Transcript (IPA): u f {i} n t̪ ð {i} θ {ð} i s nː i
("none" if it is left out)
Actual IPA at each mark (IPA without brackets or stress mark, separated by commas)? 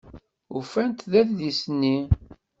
æ, æ, ð